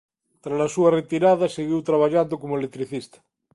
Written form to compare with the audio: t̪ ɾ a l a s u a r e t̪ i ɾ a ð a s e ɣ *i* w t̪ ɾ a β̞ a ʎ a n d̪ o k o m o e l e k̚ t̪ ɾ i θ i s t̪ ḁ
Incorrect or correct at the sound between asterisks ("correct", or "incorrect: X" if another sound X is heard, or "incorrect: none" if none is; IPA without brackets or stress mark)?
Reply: correct